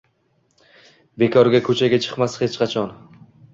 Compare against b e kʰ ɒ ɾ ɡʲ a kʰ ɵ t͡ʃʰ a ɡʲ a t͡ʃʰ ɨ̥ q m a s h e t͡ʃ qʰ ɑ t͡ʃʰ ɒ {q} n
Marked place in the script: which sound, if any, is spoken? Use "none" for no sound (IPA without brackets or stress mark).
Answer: none